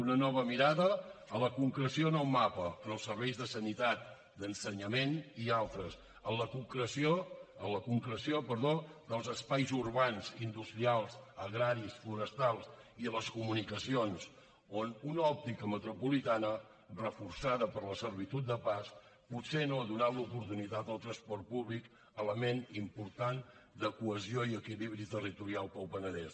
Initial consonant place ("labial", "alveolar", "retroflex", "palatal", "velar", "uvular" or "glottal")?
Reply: alveolar